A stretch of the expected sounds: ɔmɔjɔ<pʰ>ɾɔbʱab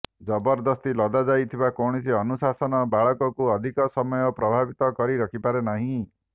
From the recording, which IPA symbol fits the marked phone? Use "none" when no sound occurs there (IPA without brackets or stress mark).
p